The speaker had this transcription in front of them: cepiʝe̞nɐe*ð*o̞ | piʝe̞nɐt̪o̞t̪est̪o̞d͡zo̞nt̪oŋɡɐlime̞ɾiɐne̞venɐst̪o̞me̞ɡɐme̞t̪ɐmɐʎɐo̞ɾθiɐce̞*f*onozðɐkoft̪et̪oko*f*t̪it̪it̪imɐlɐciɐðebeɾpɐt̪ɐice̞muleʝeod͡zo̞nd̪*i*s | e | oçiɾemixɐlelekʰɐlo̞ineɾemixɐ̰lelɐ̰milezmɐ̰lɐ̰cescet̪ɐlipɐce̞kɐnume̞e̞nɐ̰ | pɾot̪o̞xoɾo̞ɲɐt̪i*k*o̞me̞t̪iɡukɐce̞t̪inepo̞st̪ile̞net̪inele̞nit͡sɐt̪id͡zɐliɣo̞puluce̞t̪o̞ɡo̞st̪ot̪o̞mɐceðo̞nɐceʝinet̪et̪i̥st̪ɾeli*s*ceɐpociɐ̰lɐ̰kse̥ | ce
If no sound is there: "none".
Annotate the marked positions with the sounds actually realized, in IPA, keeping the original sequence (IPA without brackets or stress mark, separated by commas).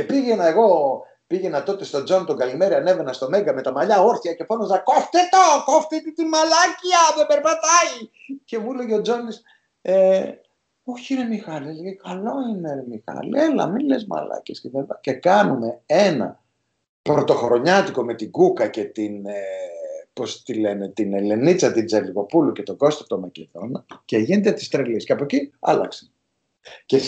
ɣ, f, f, i, k, s